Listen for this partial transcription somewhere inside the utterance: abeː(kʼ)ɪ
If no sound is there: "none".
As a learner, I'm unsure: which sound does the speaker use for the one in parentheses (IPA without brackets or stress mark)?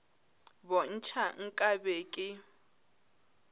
kʼ